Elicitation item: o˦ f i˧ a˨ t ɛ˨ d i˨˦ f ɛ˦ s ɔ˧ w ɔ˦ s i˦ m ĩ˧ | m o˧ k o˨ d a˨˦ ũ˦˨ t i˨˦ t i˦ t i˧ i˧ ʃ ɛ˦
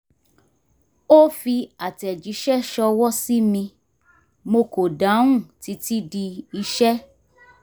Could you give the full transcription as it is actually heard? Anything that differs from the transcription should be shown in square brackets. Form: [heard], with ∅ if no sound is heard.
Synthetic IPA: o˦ f i˧ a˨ t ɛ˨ [d͡ʒ] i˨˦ [ʃ] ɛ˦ [ʃ] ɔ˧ w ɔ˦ s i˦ m ĩ˧ | m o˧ k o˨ d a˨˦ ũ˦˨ t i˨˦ t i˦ [d] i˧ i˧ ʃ ɛ˦